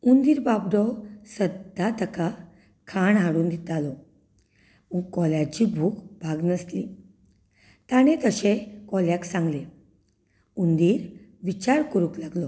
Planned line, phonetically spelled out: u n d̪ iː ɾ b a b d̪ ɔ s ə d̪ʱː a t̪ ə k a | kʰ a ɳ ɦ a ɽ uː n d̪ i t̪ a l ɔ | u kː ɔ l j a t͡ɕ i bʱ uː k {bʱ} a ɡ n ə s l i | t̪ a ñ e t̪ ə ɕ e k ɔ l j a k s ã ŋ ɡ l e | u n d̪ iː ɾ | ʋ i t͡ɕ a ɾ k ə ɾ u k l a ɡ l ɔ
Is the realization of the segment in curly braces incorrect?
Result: no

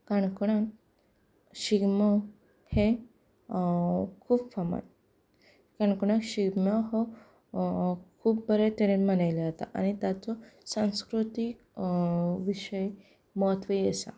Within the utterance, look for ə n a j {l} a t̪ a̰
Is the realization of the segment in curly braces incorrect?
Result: no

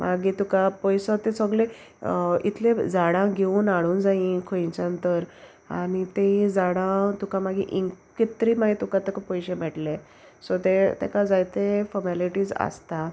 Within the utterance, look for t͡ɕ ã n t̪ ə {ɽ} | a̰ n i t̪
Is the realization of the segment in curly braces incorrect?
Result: yes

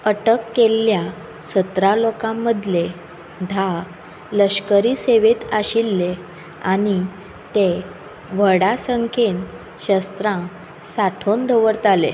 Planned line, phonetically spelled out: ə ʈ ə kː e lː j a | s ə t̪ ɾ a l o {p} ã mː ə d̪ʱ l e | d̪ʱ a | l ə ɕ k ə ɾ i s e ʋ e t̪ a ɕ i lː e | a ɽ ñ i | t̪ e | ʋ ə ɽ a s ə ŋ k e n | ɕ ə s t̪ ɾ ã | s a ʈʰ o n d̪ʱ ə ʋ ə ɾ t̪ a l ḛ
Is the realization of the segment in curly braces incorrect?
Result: yes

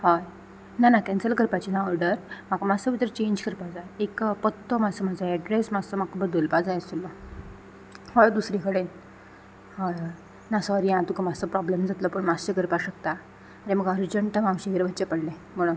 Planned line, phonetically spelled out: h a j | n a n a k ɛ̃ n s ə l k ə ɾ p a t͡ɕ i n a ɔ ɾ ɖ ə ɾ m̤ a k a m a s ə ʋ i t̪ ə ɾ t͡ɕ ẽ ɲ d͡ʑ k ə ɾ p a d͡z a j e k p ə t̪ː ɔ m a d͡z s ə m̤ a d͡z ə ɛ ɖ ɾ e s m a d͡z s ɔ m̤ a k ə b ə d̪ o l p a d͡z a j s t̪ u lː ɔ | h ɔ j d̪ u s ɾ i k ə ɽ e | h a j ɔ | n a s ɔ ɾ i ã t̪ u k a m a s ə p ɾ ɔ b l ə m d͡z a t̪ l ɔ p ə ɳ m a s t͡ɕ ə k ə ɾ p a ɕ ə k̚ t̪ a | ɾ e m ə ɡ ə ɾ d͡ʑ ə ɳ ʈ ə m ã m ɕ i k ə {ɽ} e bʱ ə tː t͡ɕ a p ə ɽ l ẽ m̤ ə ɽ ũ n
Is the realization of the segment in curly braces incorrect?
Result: yes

